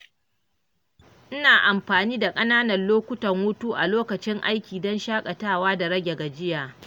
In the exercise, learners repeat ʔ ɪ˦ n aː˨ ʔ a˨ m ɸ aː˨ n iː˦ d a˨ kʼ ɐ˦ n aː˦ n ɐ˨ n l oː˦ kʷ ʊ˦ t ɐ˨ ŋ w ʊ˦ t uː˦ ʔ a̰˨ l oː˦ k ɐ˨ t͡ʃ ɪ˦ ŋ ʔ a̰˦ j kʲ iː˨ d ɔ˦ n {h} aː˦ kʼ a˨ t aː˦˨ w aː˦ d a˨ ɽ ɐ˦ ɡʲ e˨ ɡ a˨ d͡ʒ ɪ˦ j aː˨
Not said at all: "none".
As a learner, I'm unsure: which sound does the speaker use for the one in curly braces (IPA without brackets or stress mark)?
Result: ʃ